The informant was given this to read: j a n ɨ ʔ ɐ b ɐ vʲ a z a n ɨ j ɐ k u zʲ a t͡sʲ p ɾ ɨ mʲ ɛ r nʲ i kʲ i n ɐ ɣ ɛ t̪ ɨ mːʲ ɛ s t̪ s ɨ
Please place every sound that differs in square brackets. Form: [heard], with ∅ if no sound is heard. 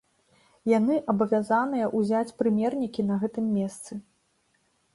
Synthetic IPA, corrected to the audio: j a n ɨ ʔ ɐ b ɐ vʲ a z a n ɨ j ɐ [ʔ] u zʲ a t͡sʲ p ɾ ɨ mʲ ɛ r nʲ i kʲ i n ɐ ɣ ɛ t̪ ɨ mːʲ ɛ s t̪ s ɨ